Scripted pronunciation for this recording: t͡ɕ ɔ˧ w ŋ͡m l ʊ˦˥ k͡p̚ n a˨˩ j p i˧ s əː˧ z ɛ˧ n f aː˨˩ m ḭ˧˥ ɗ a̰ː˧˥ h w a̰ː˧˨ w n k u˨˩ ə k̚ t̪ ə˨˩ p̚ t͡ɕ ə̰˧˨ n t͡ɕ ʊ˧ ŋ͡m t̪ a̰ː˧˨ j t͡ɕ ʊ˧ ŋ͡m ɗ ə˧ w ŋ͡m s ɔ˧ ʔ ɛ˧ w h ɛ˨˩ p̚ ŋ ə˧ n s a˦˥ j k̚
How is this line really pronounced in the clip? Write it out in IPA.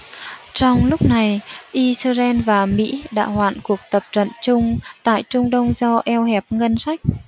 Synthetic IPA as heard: t͡ɕ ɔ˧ w ŋ͡m l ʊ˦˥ k͡p̚ n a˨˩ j ʔ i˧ s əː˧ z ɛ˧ n v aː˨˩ m ḭ˧˥ ɗ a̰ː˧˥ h w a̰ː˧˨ n k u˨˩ ə k̚ t̪ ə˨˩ p̚ t͡ɕ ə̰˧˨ n t͡ɕ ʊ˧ ŋ͡m t̪ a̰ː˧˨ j t͡ɕ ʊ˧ ŋ͡m ɗ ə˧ w ŋ͡m z ɔ˧ ʔ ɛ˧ w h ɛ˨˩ p̚ ŋ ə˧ n s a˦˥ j k̚